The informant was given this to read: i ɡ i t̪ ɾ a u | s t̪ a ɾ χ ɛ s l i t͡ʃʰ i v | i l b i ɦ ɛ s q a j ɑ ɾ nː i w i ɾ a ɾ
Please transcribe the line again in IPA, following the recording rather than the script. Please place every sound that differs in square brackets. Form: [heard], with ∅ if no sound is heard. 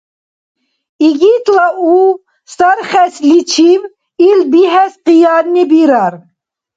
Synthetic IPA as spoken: i ɡ i t̪ [l] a u | s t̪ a ɾ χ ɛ s l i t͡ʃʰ i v | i l b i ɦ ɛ s q [i] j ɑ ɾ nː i [b] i ɾ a ɾ